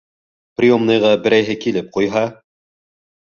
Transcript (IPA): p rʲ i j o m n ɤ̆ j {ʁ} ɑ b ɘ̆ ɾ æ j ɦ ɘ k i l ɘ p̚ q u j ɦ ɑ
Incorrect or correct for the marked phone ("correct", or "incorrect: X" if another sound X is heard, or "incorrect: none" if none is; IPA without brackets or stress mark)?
correct